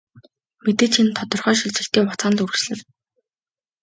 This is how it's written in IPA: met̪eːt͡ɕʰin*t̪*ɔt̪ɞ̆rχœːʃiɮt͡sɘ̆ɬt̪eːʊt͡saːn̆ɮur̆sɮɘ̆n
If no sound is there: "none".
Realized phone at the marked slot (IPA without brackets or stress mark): t̪ʰ